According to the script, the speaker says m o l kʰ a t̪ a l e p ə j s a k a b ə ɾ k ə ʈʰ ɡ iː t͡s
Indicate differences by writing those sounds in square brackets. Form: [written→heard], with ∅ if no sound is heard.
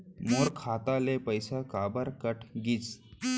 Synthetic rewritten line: m o [l→ɾ] kʰ a t̪ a l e p ə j s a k a b ə ɾ k ə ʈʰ ɡ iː t͡s